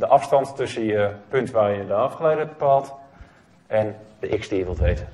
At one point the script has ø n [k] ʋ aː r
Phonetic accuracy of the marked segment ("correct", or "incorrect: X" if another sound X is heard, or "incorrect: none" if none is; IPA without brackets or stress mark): incorrect: t